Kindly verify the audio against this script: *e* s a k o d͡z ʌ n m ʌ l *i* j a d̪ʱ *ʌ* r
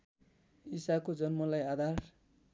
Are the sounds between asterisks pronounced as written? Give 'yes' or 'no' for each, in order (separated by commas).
no, no, no